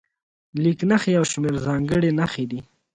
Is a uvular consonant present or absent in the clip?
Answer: absent